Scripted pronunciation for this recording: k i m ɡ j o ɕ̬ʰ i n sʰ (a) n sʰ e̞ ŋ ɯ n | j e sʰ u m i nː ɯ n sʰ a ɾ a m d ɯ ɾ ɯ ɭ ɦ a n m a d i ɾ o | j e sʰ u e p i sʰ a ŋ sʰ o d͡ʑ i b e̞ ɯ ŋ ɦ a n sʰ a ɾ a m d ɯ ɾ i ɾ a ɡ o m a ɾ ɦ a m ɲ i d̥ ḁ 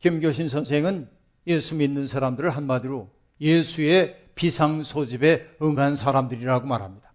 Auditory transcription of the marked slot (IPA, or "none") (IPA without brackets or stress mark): ʌ